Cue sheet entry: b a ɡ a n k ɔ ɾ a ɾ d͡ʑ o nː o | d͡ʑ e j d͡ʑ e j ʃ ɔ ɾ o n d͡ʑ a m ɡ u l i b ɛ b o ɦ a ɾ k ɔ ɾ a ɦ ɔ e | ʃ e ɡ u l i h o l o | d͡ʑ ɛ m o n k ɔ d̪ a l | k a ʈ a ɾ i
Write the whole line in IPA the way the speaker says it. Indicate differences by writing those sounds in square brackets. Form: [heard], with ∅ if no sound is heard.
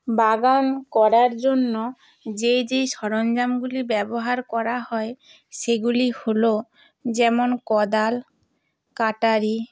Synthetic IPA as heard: b a ɡ a n k ɔ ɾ a ɾ d͡ʑ o nː o | d͡ʑ e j d͡ʑ e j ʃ ɔ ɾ o n d͡ʑ a m ɡ u l i b ɛ b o ɦ a ɾ k ɔ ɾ a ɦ ɔ e | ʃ e ɡ u l i h o l o | d͡ʑ ɛ m o n k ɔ d̪ a l | k a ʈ a ɾ i